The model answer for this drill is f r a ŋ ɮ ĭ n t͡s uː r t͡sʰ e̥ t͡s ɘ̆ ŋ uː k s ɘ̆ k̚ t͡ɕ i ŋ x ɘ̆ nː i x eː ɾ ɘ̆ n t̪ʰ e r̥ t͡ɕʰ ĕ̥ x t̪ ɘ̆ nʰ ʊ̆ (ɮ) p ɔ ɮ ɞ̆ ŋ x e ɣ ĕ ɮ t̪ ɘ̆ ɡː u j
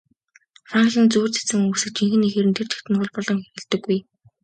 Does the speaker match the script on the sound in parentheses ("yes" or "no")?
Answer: yes